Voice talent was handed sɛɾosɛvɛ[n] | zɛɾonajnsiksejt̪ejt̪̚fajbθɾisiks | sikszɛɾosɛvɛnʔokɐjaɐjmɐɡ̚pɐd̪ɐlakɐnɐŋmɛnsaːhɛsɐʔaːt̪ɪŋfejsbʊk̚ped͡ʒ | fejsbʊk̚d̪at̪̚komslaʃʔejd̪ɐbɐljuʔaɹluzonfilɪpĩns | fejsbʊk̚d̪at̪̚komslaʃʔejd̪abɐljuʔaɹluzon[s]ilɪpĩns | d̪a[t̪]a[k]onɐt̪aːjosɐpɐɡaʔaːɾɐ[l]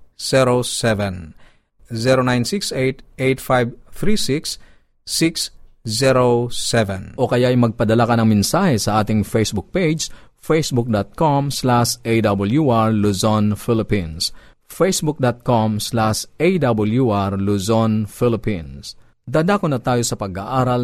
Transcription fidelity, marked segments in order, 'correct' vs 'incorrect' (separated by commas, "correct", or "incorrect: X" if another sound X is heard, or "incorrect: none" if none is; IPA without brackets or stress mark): correct, incorrect: f, incorrect: d̪, correct, correct